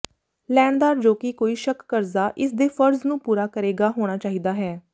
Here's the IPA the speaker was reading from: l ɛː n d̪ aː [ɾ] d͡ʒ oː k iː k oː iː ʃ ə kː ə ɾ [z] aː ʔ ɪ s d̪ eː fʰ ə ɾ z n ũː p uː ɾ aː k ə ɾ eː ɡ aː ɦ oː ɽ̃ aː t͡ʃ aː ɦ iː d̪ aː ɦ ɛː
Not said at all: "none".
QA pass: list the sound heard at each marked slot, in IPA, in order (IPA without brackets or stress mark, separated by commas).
ɾ, z